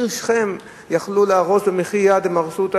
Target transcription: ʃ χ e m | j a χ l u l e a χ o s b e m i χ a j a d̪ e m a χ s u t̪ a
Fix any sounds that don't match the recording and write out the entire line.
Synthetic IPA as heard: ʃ χ e m | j a χ l u l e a ʁ o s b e m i χ i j a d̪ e m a ʁ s u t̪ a